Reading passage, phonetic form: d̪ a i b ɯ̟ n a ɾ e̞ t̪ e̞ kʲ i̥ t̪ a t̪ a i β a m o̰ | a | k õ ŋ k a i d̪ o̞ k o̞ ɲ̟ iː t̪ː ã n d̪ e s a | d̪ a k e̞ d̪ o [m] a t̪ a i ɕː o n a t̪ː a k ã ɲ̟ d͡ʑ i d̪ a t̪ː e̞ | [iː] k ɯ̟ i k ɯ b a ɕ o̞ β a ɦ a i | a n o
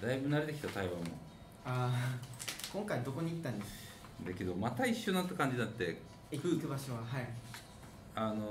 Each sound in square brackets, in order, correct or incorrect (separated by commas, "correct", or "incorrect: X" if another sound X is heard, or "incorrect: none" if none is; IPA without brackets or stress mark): correct, incorrect: i